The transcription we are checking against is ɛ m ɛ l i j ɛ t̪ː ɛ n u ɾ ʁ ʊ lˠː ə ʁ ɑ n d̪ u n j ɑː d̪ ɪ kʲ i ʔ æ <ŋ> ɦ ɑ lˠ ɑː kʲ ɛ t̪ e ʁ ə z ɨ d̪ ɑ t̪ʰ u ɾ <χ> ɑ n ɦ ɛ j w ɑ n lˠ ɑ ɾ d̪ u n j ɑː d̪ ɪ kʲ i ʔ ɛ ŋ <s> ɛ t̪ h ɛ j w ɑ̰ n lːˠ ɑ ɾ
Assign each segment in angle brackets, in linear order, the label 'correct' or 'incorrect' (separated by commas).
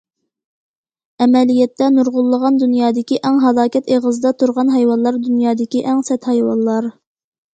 correct, incorrect, correct